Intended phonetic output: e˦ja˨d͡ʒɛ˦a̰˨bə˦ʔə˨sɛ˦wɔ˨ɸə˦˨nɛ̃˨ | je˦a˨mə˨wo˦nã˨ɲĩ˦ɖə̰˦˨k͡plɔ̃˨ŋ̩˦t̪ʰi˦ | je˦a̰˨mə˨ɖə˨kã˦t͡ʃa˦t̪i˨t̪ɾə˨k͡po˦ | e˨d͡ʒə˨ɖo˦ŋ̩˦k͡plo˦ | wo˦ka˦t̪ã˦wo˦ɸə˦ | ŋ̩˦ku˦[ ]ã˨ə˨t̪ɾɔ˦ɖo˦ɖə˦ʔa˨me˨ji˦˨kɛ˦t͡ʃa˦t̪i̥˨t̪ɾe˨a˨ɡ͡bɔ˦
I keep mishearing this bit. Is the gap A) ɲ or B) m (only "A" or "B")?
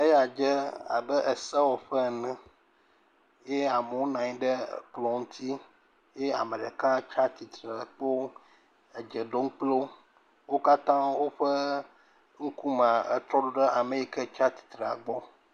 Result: B